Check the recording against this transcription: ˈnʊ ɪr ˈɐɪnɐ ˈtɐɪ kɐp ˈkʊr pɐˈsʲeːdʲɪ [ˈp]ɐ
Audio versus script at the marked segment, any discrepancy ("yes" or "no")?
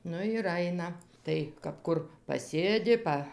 no